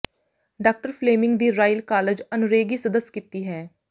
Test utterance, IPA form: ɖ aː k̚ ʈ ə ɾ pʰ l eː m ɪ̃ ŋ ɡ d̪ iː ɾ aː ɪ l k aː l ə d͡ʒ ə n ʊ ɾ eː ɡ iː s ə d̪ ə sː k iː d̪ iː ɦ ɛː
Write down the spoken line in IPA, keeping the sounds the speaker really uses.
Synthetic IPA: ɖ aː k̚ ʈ ə ɾ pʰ l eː m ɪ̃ ŋ ɡ d̪ iː ɾ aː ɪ l k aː l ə d͡ʒ ə n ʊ ɾ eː ɡ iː s ə d̪ ə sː k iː t̪ iː ɦ ɛː